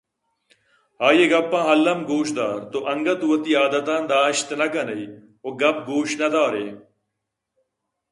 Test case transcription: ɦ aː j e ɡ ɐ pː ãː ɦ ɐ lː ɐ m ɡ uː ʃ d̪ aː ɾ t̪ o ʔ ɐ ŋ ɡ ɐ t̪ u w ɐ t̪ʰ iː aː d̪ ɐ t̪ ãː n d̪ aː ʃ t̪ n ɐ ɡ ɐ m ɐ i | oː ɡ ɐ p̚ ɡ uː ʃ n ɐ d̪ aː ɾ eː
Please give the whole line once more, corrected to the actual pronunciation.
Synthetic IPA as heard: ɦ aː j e ɡ ɐ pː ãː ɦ ɐ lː ɐ m ɡ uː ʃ d̪ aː ɾ t̪ o ʔ ɐ ŋ ɡ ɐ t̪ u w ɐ t̪ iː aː d̪ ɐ t̪ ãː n d̪ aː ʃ t̪ n ɐ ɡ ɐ n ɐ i | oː ɡ ɐ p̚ ɡ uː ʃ n ɐ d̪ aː ɾ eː